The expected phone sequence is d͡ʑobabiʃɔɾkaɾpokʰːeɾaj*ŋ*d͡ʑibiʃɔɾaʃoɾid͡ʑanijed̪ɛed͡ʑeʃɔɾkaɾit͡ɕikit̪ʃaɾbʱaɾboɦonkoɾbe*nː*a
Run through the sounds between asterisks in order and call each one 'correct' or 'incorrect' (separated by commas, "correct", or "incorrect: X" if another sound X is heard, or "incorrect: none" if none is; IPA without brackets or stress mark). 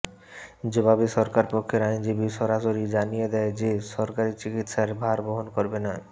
incorrect: n, incorrect: n